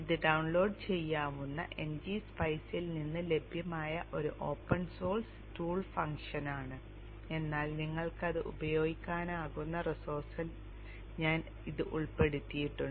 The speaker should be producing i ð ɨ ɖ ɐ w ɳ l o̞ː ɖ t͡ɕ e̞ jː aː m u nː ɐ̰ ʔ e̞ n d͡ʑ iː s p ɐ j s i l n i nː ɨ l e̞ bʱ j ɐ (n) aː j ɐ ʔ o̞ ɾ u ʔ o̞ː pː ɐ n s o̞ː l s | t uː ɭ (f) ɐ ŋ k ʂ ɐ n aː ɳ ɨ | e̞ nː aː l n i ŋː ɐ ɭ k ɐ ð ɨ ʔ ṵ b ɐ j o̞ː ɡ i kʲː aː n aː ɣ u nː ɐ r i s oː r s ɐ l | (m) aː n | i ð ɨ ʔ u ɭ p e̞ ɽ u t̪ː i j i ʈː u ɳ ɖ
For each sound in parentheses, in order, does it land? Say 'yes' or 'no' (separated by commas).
no, yes, no